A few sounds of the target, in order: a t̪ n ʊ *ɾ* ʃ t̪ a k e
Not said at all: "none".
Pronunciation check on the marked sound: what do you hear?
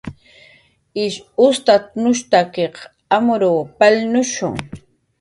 none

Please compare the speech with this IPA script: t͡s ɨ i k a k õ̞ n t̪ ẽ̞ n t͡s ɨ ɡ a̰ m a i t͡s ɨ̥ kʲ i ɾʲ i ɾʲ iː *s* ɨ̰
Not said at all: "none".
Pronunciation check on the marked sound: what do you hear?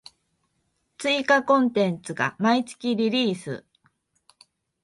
s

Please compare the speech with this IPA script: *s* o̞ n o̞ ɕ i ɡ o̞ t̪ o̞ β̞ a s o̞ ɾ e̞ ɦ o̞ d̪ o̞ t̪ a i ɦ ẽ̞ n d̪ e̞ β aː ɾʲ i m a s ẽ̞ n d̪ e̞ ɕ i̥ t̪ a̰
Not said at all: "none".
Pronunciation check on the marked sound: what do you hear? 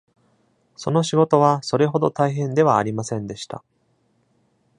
s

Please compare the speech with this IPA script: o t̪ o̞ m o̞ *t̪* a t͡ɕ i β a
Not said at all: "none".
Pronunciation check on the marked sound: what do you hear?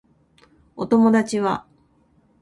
d̪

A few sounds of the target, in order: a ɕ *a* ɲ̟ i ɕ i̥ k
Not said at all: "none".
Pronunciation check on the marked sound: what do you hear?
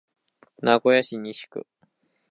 i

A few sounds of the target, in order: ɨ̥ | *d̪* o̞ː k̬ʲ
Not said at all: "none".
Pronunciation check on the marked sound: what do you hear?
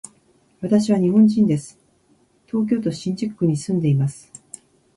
t̪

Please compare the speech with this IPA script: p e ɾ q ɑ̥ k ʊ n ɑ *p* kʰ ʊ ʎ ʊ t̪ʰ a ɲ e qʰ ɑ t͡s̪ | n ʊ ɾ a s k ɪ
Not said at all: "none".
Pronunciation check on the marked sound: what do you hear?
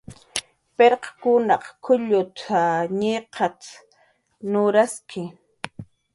q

